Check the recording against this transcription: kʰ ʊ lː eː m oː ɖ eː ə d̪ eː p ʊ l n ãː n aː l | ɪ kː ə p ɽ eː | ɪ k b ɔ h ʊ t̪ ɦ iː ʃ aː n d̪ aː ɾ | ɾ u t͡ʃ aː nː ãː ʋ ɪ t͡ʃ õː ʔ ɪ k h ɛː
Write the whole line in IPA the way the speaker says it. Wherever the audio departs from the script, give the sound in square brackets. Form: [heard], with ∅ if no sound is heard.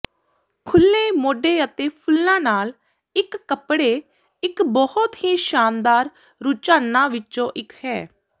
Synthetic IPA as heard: kʰ ʊ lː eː m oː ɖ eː ə [t̪] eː [pʰ] ʊ l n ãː n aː l | ɪ kː ə p ɽ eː | ɪ k b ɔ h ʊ t̪ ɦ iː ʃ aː n d̪ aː ɾ | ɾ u t͡ʃ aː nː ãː ʋ ɪ t͡ʃ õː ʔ ɪ k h ɛː

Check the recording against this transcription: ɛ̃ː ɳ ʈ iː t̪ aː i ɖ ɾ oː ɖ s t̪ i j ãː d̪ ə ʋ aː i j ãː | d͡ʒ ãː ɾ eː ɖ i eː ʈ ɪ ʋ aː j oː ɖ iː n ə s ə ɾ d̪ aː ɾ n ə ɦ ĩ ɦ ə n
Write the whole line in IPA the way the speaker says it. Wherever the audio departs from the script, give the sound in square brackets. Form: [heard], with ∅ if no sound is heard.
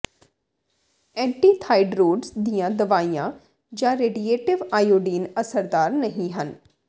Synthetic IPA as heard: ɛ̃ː ɳ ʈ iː [t̪ʰ] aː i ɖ ɾ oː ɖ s [d̪] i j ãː d̪ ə ʋ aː i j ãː | d͡ʒ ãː ɾ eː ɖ i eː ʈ ɪ ʋ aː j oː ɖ iː n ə s ə ɾ d̪ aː ɾ n ə ɦ ĩ ɦ ə n

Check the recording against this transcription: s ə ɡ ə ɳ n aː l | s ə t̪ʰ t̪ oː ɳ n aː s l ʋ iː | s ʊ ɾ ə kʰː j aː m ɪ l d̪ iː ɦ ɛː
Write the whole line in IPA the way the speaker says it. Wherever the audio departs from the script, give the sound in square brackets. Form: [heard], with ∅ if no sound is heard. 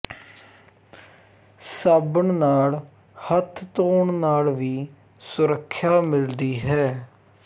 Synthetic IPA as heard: s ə [b] ə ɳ n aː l | [h] ə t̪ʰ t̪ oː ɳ n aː [∅] l ʋ iː | s ʊ ɾ ə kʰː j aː m ɪ l d̪ iː ɦ ɛː

